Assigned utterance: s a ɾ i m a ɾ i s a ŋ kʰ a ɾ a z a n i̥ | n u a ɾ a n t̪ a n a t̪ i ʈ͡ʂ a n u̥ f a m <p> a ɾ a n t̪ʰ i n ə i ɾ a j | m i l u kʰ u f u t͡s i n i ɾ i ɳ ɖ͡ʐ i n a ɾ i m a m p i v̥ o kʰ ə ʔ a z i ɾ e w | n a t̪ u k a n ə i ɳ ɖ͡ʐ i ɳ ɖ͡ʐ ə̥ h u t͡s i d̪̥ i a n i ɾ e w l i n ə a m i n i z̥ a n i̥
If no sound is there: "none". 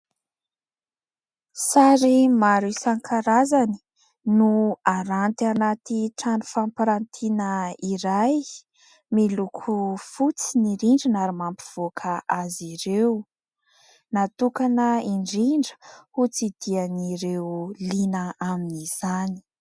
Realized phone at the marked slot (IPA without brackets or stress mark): p